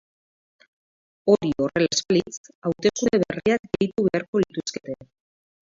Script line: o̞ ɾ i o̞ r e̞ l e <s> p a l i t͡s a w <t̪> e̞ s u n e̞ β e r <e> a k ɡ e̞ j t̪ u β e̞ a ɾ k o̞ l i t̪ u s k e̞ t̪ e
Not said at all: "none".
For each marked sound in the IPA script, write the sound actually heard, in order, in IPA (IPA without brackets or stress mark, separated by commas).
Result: s, t̪, i